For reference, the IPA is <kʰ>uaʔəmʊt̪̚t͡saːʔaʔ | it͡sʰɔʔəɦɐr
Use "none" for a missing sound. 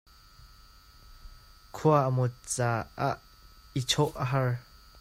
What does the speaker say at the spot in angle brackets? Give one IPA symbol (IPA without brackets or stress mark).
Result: kʰ